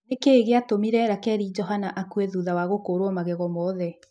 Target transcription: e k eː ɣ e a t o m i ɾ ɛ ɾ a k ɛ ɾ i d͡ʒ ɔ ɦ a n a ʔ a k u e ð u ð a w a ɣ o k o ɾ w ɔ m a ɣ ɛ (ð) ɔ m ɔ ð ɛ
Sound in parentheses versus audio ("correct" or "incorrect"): incorrect